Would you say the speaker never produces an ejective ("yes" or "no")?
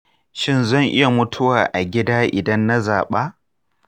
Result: yes